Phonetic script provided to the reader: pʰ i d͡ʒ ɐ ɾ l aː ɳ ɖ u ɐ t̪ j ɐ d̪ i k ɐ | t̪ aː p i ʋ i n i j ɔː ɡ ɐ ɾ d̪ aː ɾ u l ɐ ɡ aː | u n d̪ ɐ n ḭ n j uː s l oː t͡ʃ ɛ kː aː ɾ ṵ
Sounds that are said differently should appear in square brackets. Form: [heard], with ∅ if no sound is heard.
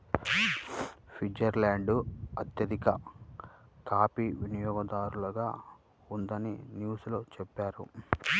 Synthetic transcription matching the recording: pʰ i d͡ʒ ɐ ɾ l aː ɳ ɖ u ɐ t̪ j ɐ d̪ i k ɐ | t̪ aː p i ʋ i n i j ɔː ɡ ɐ [∅] d̪ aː ɾ u l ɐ ɡ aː | u n d̪ ɐ n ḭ n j uː s l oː t͡ʃ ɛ [pː] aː ɾ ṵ